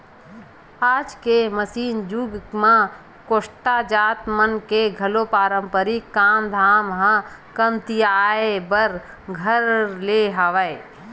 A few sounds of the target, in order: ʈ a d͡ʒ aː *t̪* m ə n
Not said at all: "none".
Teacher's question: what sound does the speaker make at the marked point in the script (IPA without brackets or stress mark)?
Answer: t̪